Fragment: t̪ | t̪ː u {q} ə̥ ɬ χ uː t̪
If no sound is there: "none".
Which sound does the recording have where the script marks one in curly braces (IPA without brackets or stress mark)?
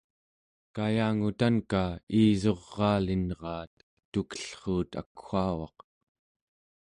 k